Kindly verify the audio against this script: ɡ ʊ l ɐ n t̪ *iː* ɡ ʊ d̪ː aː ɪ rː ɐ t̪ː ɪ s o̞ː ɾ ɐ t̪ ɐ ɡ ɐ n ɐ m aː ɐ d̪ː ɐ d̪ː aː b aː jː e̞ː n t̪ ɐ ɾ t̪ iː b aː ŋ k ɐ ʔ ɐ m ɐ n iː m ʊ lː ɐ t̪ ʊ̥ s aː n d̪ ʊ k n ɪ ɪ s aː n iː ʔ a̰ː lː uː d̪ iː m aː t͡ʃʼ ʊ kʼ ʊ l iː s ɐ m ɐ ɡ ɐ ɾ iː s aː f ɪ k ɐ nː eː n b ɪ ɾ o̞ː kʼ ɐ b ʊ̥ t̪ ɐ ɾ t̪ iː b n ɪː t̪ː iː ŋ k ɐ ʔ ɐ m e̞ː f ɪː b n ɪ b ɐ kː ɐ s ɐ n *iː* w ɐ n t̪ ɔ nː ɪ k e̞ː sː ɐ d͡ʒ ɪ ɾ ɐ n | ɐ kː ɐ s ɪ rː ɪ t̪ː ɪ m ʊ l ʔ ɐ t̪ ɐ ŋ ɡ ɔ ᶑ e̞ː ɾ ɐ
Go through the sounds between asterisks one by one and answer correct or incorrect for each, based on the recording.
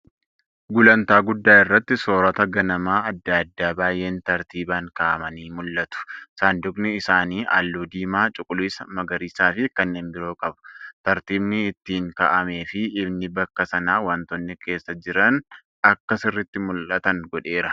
incorrect, incorrect

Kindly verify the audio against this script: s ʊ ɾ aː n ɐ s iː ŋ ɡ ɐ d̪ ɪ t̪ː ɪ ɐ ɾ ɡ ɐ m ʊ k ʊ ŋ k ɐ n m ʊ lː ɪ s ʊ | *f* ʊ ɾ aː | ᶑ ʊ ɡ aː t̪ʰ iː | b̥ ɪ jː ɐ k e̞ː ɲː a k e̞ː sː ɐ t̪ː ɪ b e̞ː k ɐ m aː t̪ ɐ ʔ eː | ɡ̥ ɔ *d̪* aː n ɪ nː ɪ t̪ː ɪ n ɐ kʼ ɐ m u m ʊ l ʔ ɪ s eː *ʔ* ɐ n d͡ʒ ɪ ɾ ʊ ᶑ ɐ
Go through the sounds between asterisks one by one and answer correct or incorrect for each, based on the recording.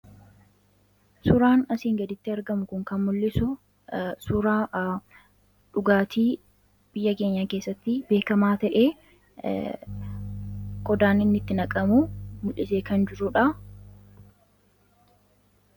incorrect, correct, incorrect

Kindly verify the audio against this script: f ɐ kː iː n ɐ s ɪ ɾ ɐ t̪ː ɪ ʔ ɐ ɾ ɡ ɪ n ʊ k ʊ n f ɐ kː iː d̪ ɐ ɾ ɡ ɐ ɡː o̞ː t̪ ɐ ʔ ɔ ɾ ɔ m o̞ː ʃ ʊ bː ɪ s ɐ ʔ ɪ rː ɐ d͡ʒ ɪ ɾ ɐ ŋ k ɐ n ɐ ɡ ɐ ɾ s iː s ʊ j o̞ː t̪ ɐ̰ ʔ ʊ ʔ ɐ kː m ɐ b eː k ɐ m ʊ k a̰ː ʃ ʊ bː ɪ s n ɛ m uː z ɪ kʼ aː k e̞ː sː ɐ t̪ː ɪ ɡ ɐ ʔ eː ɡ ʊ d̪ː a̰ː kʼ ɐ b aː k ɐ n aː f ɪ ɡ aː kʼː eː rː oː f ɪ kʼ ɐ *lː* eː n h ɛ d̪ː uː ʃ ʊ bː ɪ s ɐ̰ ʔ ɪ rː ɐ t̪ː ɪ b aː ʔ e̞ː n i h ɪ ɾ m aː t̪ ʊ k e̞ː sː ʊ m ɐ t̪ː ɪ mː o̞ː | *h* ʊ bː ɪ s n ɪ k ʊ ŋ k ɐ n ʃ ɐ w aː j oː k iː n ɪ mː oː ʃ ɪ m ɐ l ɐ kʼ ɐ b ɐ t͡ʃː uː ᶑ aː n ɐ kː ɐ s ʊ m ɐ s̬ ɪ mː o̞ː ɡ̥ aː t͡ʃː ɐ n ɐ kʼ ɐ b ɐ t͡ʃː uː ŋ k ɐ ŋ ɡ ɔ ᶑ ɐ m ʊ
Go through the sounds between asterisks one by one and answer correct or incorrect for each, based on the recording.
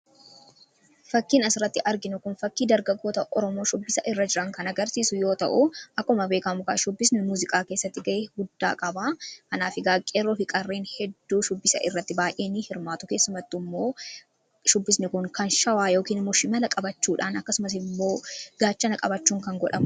incorrect, incorrect

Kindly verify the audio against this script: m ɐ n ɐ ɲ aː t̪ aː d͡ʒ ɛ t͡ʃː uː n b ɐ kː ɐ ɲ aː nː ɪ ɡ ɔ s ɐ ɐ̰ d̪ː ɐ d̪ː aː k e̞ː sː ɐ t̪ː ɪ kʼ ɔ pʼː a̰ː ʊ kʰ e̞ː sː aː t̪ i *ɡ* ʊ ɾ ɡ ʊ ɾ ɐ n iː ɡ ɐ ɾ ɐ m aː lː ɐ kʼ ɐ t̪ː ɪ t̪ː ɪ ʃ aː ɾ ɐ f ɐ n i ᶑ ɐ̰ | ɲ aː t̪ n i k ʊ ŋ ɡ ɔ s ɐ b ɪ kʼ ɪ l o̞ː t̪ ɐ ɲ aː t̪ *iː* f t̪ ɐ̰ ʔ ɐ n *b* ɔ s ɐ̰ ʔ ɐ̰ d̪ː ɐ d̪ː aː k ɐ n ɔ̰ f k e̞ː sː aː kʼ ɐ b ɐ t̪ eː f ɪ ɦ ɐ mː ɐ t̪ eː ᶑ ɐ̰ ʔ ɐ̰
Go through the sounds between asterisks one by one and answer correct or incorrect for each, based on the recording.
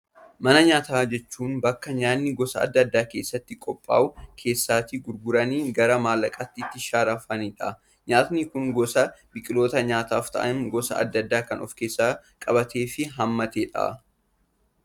correct, incorrect, incorrect

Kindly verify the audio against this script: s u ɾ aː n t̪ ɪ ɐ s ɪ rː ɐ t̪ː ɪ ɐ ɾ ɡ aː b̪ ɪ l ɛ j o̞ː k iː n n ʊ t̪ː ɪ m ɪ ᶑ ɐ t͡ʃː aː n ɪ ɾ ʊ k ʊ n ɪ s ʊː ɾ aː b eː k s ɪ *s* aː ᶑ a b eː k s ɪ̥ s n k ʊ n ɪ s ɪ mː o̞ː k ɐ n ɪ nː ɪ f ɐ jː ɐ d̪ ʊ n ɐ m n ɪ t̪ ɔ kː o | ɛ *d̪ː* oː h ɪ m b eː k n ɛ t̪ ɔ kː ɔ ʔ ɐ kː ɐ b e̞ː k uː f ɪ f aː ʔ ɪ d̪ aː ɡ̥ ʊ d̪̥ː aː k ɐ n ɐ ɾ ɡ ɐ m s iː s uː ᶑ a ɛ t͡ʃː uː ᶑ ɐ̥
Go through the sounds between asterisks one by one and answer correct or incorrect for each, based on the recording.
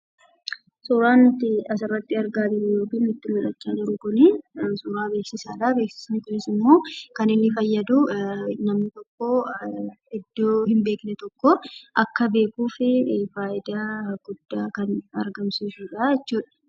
correct, correct

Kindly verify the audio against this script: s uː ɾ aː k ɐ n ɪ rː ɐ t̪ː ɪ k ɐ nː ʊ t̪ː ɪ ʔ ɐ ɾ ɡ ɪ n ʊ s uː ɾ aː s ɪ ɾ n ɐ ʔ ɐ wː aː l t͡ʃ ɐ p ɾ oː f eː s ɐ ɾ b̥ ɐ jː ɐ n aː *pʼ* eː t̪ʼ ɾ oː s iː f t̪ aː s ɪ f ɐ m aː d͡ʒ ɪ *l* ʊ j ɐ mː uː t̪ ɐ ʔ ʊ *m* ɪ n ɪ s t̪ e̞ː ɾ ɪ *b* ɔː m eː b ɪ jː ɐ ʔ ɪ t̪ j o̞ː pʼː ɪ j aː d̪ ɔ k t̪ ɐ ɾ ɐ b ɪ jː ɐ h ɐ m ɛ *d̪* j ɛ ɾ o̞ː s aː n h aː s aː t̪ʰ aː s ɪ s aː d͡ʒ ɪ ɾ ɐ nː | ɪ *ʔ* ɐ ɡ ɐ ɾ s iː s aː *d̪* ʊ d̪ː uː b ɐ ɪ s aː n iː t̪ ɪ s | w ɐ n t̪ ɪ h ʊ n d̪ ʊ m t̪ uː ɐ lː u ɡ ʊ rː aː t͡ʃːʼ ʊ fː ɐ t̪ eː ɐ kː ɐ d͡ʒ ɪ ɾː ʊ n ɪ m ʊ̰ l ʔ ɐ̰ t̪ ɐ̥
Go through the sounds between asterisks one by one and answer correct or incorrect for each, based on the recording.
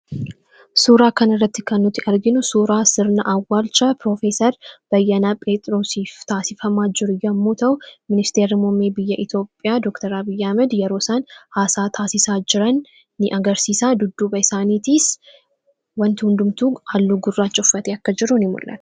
correct, incorrect, correct, incorrect, correct, correct, correct

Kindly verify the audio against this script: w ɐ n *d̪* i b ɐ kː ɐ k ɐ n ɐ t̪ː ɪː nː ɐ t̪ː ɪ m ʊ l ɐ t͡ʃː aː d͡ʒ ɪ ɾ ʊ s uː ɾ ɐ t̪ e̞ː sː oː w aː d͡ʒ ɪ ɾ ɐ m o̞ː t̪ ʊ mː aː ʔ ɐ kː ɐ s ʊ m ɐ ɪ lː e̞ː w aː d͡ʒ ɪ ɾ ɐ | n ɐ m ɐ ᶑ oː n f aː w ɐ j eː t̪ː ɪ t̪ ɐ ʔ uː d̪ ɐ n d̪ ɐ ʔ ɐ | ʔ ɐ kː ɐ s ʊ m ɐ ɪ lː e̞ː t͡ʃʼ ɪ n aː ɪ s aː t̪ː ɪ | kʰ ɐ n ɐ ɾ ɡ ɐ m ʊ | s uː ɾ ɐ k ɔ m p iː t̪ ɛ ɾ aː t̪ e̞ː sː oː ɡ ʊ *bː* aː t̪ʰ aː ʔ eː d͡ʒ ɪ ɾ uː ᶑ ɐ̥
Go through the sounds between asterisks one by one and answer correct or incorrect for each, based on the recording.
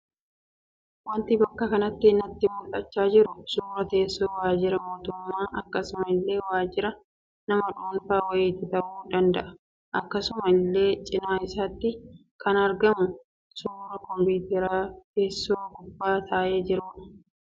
incorrect, correct

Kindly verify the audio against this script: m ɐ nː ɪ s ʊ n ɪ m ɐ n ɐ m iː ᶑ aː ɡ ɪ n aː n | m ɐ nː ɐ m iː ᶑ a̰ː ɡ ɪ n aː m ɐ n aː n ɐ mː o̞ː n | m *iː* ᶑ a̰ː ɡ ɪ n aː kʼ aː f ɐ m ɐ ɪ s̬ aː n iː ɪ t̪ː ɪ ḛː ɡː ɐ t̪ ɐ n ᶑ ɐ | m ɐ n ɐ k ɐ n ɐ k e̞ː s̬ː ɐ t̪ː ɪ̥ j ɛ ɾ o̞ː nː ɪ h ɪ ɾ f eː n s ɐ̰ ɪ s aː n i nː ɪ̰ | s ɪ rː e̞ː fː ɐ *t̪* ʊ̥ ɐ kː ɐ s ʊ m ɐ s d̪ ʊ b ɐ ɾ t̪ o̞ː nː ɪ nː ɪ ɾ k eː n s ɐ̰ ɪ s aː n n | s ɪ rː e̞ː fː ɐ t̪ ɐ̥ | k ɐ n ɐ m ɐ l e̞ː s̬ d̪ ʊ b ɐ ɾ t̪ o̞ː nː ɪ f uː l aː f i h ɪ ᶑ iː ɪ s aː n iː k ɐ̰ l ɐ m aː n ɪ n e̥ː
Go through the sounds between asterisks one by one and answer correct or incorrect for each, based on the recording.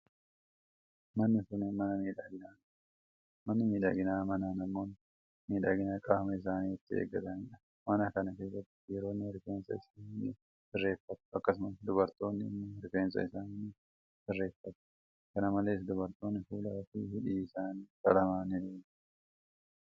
correct, correct

